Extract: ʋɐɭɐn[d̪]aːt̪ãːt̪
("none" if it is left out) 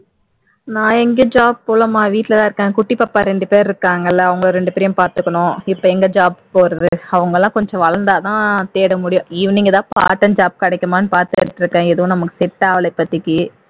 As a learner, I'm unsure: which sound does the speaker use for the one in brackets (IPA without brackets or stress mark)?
d̪